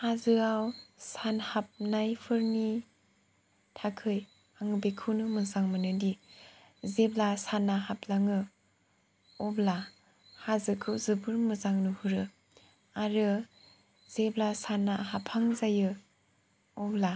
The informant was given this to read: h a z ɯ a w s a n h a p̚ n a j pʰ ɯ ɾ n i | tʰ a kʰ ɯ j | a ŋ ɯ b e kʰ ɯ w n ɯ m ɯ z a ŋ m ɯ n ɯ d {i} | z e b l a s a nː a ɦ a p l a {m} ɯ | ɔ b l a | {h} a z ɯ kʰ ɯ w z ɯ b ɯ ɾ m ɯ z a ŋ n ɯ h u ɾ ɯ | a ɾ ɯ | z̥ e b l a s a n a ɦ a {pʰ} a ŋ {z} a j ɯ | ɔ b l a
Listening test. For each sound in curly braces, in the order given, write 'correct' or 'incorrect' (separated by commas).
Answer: correct, incorrect, correct, correct, correct